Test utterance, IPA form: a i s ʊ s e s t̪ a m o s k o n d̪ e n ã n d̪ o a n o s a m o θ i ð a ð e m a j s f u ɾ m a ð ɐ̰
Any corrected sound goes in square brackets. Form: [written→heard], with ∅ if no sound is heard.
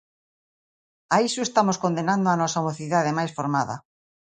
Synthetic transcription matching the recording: a i s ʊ [s→∅] e s t̪ a m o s k o n d̪ e n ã n d̪ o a n [o→ɔ] s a m o θ i ð a ð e m a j s f [u→o] ɾ m a ð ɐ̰